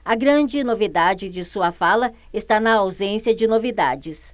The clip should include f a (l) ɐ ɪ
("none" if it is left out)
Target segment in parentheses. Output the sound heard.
l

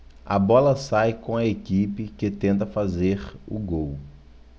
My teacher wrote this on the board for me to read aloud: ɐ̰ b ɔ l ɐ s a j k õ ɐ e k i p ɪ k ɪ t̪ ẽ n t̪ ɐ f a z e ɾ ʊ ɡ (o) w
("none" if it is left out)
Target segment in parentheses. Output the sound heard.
o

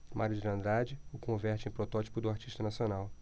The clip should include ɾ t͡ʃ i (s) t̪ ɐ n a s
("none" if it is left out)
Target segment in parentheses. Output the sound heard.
ʃ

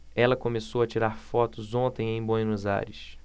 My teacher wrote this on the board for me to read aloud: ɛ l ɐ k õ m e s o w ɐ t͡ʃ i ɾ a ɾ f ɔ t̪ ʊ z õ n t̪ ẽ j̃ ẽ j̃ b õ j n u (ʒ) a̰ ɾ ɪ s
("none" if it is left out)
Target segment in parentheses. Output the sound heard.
z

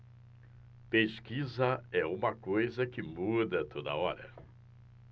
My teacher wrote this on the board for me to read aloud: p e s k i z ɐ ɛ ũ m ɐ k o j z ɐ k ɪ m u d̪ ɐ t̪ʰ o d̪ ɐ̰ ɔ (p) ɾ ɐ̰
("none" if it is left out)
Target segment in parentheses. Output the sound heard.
none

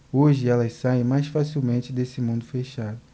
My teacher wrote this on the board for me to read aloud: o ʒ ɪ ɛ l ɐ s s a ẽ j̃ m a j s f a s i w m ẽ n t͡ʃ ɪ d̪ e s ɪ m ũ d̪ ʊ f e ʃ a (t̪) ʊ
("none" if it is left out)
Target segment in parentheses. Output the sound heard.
d̪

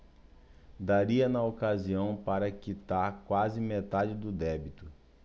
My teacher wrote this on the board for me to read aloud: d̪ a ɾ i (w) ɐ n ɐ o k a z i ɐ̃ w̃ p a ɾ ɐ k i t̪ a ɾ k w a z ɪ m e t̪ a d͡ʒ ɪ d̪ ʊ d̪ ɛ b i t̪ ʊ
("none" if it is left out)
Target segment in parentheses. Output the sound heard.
none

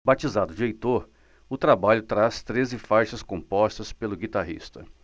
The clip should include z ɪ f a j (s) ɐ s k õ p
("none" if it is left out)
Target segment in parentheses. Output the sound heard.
ʃ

